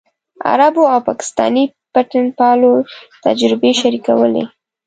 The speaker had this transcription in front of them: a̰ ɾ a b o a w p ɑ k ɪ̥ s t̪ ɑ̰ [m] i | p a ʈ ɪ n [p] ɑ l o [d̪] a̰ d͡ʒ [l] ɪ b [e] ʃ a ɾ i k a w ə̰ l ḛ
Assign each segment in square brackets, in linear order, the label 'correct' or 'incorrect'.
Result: incorrect, correct, incorrect, incorrect, correct

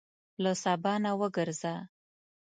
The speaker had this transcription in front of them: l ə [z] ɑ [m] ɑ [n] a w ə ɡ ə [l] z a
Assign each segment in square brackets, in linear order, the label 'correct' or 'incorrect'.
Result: incorrect, incorrect, correct, incorrect

